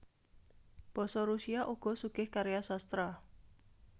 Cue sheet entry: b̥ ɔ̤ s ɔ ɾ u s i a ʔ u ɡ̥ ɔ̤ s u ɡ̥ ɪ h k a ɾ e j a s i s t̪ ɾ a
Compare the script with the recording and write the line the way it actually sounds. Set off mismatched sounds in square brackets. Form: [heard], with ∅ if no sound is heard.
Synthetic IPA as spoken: b̥ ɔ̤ s ɔ ɾ u s i a ʔ u ɡ̥ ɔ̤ s u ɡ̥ ɪ h k a ɾ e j a s [a] s t̪ ɾ a